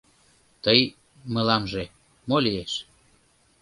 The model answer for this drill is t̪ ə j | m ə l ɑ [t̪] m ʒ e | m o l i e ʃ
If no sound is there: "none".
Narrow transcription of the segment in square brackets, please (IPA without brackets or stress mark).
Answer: none